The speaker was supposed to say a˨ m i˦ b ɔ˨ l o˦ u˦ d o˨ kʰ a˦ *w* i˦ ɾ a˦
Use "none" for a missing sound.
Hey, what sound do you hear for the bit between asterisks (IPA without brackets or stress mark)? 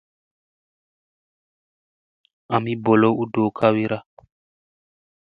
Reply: w